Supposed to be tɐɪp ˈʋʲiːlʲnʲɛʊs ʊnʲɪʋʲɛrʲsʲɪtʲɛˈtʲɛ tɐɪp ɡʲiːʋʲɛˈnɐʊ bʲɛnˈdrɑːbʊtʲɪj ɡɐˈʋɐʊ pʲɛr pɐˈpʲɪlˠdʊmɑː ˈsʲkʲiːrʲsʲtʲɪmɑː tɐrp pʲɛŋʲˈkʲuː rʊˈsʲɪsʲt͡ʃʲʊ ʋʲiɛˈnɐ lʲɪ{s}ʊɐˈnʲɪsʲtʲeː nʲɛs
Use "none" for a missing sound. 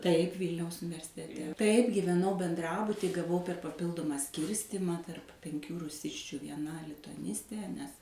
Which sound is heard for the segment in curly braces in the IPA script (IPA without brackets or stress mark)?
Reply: t